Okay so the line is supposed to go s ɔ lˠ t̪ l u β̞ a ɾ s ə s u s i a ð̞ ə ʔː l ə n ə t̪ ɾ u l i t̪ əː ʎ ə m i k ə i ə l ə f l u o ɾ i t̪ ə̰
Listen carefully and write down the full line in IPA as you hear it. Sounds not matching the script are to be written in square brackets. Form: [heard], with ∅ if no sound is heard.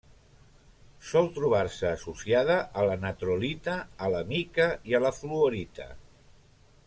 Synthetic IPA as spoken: s ɔ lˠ t̪ [ɾ] u β̞ a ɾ s [əː] s u s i a ð̞ ə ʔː l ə n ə t̪ ɾ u l i t̪ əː [l] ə m i k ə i ə l ə f l u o ɾ i t̪ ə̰